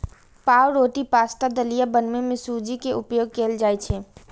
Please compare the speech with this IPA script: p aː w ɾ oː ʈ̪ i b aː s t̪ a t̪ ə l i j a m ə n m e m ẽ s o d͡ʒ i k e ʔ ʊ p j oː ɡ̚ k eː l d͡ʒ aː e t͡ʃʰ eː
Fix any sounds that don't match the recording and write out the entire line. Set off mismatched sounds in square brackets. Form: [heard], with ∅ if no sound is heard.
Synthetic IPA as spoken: p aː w ɾ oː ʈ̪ i [p] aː s t̪ a [d̪] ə l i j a [b] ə n m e m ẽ s [u] d͡ʒ i k e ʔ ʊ p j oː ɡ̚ k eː l d͡ʒ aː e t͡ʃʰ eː